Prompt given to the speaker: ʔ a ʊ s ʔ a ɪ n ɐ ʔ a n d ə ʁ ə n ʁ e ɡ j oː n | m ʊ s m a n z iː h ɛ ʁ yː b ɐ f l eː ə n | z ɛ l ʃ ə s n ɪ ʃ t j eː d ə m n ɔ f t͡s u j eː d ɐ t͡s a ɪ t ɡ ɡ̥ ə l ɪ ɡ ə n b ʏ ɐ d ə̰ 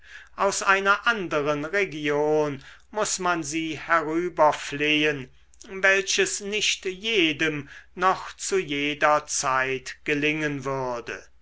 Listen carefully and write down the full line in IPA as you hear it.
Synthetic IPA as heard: ʔ a ʊ s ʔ a ɪ n ɐ ʔ a n d ə ʁ ə n ʁ e ɡ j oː n | m ʊ s m a n z iː h ɛ ʁ yː b ɐ f l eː ə n | v ɛ l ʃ ə s n ɪ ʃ t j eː d ə m n ɔ χ t͡s u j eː d ɐ t͡s a ɪ t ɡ ɡ̥ ə l ɪ ŋ ə n v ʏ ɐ d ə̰